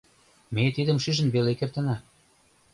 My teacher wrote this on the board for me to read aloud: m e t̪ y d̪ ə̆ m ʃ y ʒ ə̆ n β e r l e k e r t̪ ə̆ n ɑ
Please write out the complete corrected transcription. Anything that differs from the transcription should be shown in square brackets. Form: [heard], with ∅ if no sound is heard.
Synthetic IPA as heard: m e t̪ [i] d̪ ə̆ m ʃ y ʒ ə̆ n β e [∅] l e k e r t̪ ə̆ n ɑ